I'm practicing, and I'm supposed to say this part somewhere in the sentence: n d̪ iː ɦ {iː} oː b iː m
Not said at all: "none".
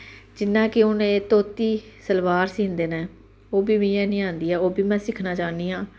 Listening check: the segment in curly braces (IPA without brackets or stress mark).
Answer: ɛː